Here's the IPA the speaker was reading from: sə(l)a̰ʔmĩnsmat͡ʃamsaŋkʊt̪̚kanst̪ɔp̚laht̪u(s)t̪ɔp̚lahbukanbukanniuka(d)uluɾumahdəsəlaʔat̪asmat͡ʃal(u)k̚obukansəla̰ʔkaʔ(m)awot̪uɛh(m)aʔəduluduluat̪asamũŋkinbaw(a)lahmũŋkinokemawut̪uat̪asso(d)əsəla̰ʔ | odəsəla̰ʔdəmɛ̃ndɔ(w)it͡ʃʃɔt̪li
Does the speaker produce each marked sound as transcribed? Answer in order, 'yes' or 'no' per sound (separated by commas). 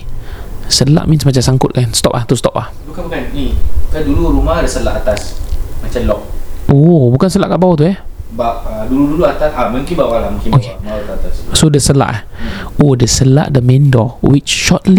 yes, yes, yes, no, no, no, yes, yes, yes